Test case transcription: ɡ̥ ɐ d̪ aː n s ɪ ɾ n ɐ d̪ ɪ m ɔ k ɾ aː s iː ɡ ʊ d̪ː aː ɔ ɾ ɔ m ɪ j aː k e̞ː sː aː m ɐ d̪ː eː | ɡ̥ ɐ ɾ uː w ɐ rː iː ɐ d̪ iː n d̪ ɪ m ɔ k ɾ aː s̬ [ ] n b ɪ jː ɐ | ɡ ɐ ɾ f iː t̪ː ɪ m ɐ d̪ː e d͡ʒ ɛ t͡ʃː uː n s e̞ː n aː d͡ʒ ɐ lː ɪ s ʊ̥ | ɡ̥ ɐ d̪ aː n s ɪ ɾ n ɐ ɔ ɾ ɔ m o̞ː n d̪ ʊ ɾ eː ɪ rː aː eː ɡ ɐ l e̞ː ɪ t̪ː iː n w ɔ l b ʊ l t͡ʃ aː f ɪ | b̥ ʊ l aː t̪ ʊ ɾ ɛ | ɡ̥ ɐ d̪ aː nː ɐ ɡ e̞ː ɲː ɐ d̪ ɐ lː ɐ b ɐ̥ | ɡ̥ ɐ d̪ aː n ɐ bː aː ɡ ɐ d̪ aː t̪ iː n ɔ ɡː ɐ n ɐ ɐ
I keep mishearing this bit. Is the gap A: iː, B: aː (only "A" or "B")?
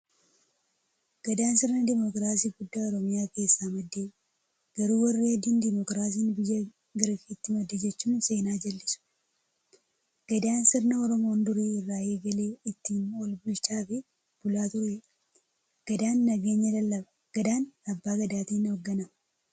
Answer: A